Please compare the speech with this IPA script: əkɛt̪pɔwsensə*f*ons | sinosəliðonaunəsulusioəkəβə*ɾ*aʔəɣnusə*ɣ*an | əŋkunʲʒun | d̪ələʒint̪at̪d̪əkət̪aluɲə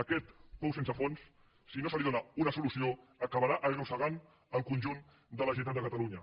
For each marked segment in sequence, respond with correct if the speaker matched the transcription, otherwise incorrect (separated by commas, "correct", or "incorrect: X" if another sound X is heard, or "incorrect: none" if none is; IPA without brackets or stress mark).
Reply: correct, correct, correct